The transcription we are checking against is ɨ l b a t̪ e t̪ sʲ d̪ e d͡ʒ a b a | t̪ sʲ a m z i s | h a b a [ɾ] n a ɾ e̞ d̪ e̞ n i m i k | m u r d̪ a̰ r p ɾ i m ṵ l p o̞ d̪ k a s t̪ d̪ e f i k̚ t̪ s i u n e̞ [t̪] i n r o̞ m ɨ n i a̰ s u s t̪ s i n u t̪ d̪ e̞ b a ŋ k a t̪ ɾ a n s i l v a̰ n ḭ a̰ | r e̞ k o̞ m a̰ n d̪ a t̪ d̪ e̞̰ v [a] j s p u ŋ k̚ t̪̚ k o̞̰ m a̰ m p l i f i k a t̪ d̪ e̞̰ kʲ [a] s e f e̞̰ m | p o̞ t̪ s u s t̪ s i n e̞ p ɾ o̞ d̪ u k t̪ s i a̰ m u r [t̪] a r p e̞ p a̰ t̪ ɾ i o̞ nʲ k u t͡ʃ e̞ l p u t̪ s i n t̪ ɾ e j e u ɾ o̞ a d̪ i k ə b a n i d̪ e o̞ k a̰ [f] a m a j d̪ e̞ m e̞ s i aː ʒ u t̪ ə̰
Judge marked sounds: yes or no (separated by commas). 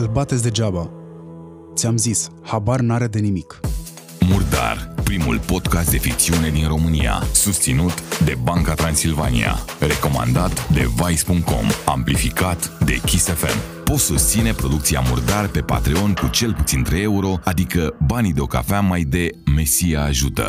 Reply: no, no, yes, no, no, yes